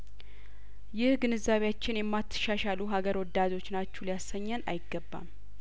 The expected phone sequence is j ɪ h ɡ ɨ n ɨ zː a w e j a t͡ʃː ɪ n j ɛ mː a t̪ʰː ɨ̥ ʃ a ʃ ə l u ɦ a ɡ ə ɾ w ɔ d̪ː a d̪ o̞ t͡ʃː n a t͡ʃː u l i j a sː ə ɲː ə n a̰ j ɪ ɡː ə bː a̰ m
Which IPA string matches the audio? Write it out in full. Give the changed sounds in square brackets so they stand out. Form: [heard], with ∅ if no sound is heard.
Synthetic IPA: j ɪ h ɡ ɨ n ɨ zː a [β] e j a t͡ʃː ɪ n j ɛ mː a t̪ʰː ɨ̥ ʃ a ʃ [a] l u ɦ a ɡ ə ɾ w ɔ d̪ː a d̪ o̞ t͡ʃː n a t͡ʃː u l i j a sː ə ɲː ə n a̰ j ɪ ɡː ə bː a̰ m